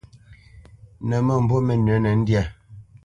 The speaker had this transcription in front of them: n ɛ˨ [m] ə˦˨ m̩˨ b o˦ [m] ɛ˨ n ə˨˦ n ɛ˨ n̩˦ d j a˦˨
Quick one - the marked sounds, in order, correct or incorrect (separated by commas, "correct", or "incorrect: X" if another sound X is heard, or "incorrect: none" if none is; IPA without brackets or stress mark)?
correct, correct